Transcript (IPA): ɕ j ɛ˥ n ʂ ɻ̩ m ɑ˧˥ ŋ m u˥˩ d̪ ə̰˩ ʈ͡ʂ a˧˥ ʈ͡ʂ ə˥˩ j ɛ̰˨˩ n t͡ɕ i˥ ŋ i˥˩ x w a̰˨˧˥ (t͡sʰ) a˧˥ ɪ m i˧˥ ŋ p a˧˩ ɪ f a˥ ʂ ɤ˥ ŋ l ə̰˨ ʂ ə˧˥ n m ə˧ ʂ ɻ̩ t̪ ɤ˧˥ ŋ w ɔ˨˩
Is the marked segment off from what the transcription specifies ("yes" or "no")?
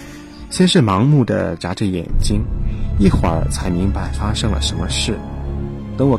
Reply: no